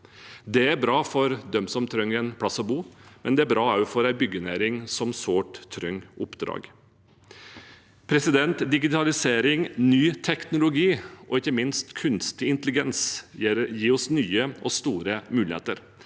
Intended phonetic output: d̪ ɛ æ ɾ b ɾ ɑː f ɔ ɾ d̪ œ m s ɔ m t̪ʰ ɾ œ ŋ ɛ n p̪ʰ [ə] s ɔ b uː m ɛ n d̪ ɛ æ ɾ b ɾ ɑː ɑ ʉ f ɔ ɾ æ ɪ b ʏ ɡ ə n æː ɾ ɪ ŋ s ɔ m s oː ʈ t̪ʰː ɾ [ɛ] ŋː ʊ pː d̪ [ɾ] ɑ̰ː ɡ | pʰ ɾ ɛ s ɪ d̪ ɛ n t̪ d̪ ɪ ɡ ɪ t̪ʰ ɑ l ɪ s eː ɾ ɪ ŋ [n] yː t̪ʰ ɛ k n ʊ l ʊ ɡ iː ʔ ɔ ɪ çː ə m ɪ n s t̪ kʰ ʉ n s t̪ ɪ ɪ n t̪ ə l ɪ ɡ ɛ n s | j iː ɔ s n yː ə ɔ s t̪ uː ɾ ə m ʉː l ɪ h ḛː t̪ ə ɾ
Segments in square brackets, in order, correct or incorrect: incorrect: ɑ, incorrect: œ, correct, correct

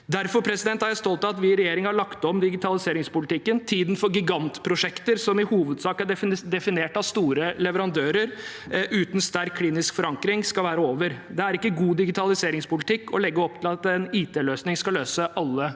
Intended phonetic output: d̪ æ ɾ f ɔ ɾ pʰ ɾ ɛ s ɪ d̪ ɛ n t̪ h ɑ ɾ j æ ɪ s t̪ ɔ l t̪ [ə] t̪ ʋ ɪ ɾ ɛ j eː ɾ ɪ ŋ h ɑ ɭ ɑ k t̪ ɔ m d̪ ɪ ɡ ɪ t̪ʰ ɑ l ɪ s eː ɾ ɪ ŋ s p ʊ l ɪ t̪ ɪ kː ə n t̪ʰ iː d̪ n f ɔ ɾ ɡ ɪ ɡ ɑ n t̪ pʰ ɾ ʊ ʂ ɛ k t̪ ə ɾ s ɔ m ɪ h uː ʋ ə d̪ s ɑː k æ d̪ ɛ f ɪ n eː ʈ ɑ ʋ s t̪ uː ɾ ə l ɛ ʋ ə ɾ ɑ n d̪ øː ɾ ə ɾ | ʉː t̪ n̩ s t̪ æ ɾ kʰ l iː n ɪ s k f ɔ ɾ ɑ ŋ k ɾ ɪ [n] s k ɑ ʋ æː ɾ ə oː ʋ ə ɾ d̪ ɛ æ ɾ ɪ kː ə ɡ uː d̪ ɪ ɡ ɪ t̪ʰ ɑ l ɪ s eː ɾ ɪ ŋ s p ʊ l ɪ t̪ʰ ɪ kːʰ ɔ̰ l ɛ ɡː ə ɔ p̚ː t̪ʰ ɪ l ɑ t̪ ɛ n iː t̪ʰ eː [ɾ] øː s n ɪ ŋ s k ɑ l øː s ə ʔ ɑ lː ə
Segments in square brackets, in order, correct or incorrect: incorrect: ɑ, incorrect: ŋ, incorrect: l

